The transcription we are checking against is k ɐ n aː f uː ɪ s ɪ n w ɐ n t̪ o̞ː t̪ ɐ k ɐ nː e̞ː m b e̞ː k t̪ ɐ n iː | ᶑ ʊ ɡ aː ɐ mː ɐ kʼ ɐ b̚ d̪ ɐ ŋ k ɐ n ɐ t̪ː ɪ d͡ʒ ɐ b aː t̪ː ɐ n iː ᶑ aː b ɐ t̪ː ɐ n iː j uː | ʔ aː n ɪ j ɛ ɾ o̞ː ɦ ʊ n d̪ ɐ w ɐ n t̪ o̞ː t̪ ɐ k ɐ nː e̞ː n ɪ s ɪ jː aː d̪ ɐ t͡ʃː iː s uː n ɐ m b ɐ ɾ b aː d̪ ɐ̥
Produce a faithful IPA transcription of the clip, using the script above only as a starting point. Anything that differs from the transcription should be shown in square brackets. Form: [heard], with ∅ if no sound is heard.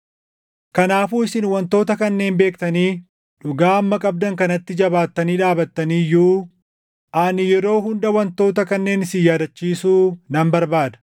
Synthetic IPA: k ɐ n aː f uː ɪ s ɪ n w ɐ n t̪ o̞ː t̪ ɐ k ɐ nː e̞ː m b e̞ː k t̪ ɐ n iː | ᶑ ʊ ɡ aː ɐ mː ɐ kʼ ɐ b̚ d̪ ɐ ŋ k ɐ n ɐ t̪ː ɪ d͡ʒ ɐ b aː t̪ː ɐ n iː ᶑ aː b ɐ t̪ː ɐ n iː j uː | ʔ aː n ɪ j ɛ ɾ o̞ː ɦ ʊ n d̪ ɐ w ɐ n t̪ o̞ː t̪ ɐ k ɐ nː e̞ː n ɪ s ɪ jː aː d̪ ɐ t͡ʃː iː s uː n ɐ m b ɐ ɾ b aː d̪ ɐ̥